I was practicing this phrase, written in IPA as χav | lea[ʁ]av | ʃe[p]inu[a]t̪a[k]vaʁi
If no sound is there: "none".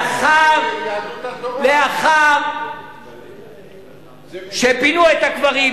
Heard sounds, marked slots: χ, p, e, k

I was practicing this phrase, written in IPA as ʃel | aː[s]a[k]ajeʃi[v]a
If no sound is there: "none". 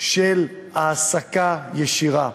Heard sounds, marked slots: s, k, ʁ

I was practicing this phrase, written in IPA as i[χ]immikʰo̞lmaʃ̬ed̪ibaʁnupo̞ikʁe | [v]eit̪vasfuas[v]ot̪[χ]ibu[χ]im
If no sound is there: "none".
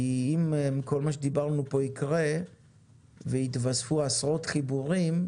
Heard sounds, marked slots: none, v, ʁ, χ, ʁ

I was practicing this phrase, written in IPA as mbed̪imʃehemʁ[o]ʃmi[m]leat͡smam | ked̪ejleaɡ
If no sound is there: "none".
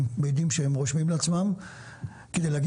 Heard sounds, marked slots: o, m

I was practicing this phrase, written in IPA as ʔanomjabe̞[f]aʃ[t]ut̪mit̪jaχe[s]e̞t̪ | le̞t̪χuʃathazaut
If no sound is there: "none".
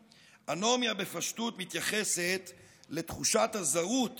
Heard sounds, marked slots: f, t, s

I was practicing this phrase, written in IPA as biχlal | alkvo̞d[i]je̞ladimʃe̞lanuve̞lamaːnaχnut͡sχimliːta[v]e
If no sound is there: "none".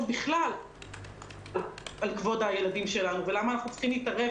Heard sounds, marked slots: a, ʁ

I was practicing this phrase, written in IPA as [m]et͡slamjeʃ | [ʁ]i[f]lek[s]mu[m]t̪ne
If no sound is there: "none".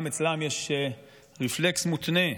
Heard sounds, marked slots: m, ʁ, f, s, none

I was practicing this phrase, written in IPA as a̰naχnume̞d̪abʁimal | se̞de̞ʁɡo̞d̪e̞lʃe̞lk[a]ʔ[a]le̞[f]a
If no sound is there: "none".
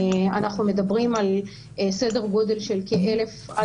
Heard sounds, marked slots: e, e, f

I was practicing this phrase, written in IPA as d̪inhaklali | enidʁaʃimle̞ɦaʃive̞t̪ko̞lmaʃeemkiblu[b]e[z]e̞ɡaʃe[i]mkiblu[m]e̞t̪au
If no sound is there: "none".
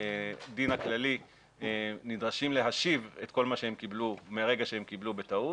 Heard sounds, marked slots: m, ʁ, e, b

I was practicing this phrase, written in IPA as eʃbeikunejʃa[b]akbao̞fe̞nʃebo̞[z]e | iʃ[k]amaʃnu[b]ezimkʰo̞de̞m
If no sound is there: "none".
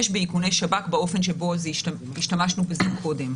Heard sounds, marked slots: b, z, t, b

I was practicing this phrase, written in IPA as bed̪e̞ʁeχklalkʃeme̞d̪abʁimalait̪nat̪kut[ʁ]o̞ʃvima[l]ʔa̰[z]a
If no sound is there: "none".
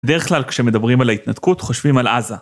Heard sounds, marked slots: χ, l, z

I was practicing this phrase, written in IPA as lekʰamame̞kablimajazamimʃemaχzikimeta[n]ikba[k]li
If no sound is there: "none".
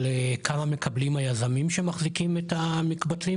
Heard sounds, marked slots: m, t

